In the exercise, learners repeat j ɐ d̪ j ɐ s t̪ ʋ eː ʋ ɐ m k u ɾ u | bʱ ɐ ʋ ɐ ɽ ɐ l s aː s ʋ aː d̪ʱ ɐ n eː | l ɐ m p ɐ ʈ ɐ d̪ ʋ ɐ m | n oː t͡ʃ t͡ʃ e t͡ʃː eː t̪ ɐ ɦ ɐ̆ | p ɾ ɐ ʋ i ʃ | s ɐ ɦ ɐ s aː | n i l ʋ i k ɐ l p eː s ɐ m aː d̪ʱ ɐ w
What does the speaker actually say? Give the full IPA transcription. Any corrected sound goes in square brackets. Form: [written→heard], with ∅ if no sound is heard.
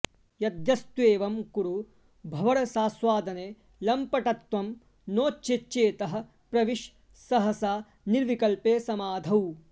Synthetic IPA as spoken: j ɐ d̪ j ɐ s t̪ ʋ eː ʋ ɐ m k u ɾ u | bʱ ɐ ʋ ɐ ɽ ɐ [l→∅] s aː s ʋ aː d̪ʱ ɐ n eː | l ɐ m p ɐ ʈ ɐ [d̪→t̪] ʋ ɐ m | n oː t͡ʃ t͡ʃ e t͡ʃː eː t̪ ɐ ɦ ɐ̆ | p ɾ ɐ ʋ i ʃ | s ɐ ɦ ɐ s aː | n i [l→ɾ] ʋ i k ɐ l p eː s ɐ m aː d̪ʱ ɐ w